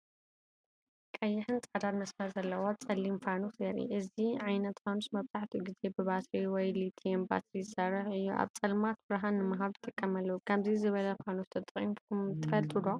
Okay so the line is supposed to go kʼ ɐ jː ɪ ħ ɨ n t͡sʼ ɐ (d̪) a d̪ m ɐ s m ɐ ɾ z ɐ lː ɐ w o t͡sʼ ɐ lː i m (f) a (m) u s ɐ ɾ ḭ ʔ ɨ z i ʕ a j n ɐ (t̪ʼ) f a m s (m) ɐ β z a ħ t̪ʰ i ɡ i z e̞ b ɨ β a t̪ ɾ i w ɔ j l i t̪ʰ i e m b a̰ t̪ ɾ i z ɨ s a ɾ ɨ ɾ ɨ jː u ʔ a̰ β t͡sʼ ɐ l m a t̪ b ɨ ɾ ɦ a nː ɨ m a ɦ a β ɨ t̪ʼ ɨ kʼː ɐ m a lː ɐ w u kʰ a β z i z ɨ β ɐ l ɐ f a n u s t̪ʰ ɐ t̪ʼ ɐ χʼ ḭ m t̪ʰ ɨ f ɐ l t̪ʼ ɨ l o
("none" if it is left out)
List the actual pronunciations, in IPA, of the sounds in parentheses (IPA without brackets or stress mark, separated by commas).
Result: d̪, f, n, t̪, m